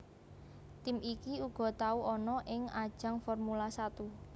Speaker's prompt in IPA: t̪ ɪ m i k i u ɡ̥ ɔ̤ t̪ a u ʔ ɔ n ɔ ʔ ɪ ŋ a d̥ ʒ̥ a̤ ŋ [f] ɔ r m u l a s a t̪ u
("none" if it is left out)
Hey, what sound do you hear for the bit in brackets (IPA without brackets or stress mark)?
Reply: f